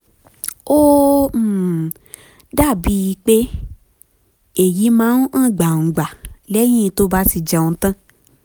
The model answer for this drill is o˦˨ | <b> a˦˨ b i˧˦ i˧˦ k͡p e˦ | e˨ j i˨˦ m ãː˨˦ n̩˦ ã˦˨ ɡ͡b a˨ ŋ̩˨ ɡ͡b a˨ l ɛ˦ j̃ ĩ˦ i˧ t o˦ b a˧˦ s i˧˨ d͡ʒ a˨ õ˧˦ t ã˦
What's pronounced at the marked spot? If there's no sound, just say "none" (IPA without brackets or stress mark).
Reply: d